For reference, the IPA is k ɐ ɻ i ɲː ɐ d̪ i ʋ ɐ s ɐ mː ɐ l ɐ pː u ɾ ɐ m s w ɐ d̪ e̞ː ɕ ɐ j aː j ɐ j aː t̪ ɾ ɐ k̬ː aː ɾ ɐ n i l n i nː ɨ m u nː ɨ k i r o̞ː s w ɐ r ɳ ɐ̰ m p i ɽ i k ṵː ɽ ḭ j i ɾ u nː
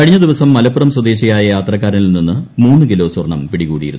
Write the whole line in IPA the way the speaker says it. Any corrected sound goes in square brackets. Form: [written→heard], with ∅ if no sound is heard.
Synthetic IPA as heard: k ɐ ɻ i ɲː ɐ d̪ i ʋ ɐ s ɐ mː ɐ l ɐ pː u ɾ ɐ m s w ɐ d̪ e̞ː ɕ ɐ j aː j ɐ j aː t̪ [ɾ→r] ɐ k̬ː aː ɾ ɐ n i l n i nː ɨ m [u→uː] nː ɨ k i [r→l] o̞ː s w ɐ r ɳ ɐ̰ m p i ɽ i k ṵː ɽ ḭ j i ɾ u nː